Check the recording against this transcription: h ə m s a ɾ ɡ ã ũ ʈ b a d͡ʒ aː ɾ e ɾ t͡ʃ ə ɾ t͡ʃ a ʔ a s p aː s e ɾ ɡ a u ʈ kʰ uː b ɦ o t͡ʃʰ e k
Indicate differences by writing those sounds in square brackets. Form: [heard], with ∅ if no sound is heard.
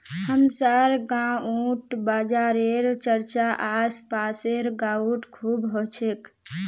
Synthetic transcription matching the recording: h ə m s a ɾ ɡ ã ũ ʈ b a d͡ʒ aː ɾ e ɾ t͡ʃ ə ɾ t͡ʃ a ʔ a s p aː s e ɾ ɡ a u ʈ kʰ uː b ɦ o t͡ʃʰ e k